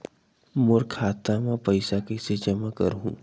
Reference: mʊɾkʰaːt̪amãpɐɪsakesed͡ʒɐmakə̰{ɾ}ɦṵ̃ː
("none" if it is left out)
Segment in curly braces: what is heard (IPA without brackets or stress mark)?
ɾ